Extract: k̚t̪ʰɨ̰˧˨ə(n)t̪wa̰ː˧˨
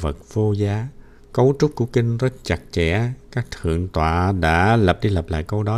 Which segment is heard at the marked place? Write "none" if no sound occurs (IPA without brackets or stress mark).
ŋ